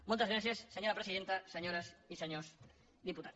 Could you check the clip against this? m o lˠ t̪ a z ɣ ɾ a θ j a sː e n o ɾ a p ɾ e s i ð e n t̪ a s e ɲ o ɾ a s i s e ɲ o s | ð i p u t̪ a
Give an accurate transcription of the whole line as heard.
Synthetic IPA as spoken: m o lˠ t̪ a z ɣ ɾ a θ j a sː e ɲ o ɾ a p ɾ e s i ð e n t̪ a s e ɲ o ɾ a s i s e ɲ o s | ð i p u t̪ a